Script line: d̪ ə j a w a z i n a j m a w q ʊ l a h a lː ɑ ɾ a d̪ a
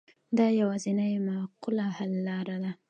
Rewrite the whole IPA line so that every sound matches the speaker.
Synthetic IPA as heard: d̪ ɑ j a w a z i n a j m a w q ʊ l a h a lː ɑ ɾ a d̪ a